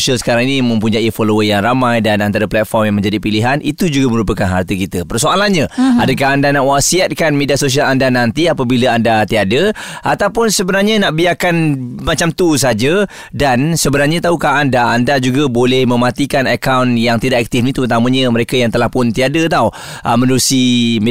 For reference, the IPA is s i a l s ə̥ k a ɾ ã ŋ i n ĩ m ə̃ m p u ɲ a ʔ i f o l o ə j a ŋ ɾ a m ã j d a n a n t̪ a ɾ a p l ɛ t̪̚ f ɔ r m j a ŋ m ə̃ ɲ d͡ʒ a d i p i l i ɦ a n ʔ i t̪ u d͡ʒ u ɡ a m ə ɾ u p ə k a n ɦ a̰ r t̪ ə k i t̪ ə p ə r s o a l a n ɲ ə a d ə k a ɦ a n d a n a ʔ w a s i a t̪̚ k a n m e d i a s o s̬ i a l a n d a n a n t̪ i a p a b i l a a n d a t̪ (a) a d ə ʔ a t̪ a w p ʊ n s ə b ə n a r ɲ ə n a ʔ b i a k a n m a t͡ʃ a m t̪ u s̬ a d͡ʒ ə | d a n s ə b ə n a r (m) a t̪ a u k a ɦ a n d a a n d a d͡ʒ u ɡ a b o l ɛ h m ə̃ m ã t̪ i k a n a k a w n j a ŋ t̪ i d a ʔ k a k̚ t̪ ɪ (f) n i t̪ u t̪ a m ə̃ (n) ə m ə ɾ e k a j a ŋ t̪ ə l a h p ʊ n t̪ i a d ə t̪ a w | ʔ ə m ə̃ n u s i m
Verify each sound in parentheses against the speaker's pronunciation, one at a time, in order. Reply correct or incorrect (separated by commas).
incorrect, incorrect, correct, incorrect